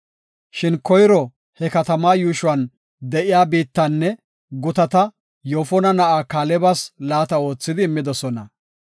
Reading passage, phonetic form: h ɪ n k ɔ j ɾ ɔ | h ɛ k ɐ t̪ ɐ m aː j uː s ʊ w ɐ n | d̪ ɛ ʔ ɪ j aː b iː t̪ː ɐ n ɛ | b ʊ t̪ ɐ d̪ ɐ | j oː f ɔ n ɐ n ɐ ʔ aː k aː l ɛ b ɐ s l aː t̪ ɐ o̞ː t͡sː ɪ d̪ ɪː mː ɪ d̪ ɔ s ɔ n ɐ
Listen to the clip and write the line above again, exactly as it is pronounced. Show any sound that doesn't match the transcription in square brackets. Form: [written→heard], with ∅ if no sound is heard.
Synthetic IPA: [h→ʃ] ɪ n k ɔ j ɾ ɔ | h ɛ k ɐ t̪ ɐ m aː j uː [s→ʃ] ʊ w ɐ n | d̪ ɛ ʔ ɪ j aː b iː t̪ː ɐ [n→nː] ɛ | [b→ɡ] ʊ t̪ ɐ [d̪→t̪] ɐ | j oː f ɔ n ɐ n ɐ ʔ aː k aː l ɛ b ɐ s l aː t̪ ɐ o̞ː t͡sː ɪ d̪ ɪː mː ɪ d̪ ɔ s ɔ n ɐ